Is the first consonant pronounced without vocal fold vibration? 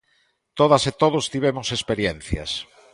yes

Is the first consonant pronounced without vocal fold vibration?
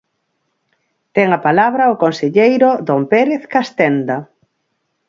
yes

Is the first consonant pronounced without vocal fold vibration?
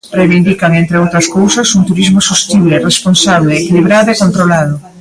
no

